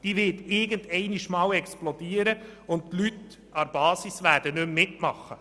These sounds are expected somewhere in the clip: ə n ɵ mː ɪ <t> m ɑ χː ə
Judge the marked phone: correct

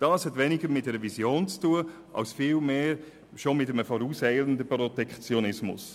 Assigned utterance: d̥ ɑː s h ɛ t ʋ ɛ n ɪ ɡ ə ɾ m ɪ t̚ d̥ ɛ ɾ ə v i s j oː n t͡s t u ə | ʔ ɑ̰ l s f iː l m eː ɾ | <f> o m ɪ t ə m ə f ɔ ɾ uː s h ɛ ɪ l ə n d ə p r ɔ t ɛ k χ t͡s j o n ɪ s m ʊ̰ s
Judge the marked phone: incorrect: ʃ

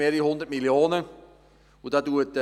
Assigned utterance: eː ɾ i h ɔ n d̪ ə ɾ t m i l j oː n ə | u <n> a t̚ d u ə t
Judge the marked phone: incorrect: d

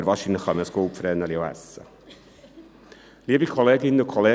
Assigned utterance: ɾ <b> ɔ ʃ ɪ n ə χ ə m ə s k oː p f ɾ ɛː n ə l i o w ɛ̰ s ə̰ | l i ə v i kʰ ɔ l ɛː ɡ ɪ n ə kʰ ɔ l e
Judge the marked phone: incorrect: v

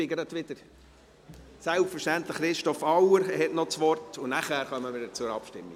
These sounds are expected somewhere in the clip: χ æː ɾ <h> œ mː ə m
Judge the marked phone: incorrect: χ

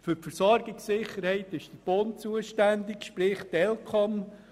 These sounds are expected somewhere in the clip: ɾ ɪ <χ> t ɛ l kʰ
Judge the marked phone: correct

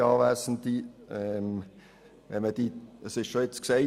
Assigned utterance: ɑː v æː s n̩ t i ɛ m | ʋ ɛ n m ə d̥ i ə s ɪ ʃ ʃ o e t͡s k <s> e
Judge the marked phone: correct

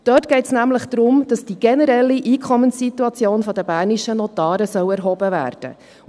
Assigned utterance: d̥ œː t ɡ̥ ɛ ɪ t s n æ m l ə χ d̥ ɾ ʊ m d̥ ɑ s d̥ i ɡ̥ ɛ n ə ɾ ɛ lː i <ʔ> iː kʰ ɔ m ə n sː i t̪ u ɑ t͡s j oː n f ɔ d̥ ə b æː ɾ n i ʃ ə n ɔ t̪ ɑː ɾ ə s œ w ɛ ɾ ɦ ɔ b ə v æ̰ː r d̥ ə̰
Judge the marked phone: correct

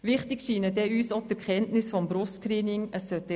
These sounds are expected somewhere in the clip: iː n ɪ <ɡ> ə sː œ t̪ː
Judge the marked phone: incorrect: ŋ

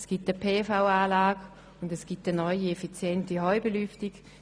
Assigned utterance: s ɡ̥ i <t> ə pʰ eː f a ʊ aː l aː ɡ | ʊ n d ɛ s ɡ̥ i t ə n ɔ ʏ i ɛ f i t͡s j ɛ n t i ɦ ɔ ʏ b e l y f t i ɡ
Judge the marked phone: correct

